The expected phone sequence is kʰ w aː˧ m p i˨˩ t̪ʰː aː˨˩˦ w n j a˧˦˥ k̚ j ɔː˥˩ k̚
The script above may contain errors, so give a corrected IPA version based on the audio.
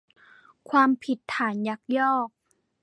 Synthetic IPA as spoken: kʰ w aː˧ m pʰ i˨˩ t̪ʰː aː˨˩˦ n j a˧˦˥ k̚ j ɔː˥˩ k̚